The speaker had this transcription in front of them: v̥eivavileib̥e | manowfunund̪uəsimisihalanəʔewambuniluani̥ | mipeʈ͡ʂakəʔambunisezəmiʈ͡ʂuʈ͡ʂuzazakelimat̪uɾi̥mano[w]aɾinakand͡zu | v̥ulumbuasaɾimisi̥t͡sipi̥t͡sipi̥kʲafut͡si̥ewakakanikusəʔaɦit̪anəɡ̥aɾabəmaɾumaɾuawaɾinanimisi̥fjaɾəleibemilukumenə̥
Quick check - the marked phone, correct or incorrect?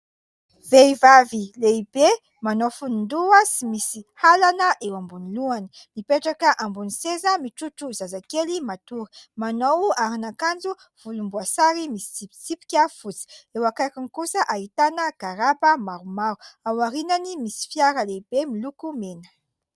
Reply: correct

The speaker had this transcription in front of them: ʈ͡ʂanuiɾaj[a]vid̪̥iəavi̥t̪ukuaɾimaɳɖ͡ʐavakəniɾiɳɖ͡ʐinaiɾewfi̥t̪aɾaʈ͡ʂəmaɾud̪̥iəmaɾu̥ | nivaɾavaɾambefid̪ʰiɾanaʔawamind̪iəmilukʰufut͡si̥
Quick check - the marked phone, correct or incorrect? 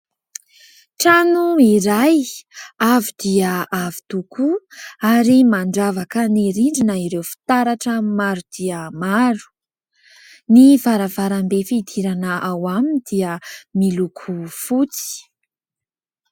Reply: correct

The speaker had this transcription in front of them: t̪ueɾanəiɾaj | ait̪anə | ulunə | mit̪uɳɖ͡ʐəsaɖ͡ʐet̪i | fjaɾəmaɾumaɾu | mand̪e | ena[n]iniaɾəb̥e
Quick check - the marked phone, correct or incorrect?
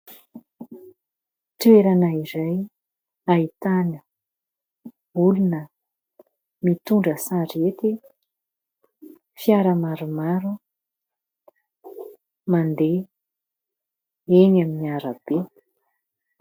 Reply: incorrect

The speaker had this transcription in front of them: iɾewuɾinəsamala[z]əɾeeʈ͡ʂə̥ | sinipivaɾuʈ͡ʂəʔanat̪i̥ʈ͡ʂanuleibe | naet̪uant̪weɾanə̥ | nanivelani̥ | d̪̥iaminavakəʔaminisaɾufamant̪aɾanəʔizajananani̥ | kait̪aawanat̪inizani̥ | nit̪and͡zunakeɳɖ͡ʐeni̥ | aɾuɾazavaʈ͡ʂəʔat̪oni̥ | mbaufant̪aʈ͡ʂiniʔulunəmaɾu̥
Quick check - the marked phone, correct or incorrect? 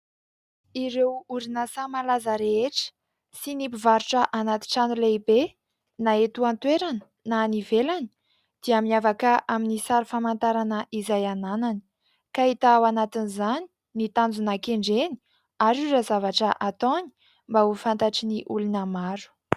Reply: correct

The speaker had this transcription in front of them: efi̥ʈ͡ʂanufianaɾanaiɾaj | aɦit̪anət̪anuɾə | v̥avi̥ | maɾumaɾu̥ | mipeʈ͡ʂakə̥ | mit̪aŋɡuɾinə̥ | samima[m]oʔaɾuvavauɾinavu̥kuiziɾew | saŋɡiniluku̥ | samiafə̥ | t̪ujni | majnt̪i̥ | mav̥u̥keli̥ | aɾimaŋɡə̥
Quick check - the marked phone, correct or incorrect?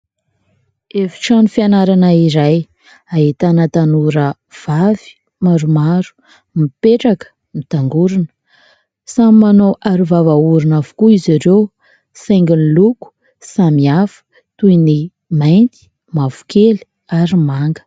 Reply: incorrect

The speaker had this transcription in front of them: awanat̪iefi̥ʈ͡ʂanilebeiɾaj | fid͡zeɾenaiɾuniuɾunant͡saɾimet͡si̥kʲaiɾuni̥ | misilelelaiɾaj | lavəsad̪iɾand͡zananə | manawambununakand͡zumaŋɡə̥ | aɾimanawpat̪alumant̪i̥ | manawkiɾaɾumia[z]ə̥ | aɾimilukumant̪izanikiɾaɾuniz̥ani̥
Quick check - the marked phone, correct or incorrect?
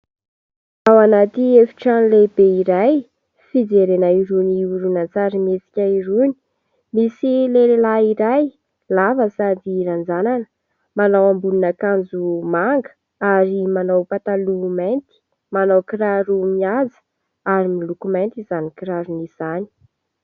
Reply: correct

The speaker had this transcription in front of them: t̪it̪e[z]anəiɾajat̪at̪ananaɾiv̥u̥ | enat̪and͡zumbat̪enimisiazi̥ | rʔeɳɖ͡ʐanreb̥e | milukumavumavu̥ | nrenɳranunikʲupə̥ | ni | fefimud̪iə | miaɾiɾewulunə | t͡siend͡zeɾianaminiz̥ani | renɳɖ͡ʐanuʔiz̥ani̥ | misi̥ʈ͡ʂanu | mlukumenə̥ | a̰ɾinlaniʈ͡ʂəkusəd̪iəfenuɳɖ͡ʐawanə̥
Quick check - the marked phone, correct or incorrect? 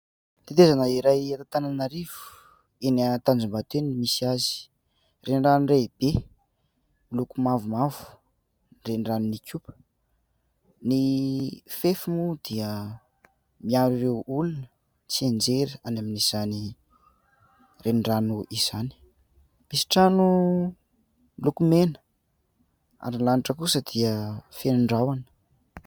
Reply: correct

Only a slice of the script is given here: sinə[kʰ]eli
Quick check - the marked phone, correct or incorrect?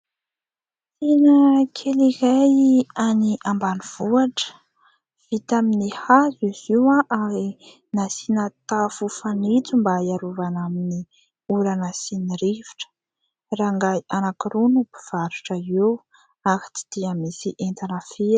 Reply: correct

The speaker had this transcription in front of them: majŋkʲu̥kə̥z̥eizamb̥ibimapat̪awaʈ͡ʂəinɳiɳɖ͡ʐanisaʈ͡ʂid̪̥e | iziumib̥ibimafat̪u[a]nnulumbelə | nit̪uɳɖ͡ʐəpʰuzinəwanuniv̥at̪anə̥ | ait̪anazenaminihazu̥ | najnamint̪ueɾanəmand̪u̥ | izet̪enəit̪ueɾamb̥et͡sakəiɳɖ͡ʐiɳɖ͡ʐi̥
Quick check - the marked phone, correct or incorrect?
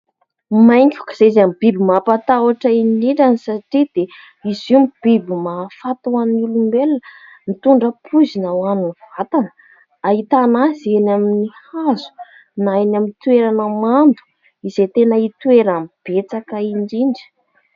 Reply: correct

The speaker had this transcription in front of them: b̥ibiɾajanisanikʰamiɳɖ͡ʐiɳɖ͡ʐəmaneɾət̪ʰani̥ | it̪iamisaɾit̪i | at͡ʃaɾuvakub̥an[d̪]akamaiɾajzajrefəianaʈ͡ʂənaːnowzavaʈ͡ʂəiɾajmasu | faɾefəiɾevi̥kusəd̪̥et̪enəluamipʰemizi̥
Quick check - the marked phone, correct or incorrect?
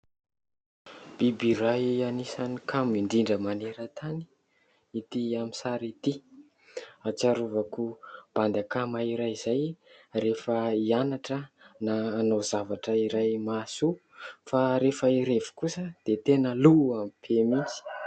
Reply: correct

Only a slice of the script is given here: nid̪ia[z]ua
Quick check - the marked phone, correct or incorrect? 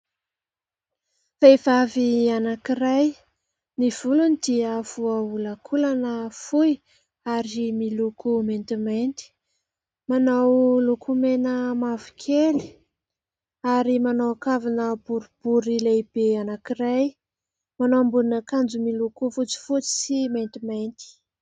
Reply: incorrect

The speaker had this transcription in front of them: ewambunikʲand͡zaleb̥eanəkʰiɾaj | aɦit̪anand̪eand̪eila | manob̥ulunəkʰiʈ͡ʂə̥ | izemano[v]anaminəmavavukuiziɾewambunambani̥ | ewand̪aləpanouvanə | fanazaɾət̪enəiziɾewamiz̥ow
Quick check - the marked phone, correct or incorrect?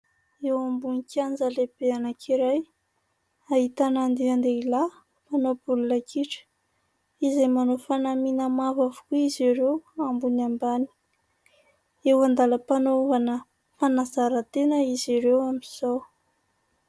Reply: incorrect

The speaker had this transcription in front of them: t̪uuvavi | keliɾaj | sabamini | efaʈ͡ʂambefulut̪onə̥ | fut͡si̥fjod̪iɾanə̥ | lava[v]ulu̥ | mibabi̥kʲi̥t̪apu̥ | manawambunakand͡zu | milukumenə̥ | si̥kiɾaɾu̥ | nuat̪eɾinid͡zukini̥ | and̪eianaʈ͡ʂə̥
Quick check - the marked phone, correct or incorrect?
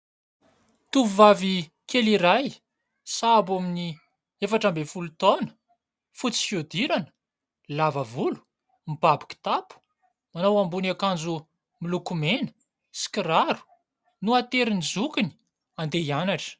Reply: correct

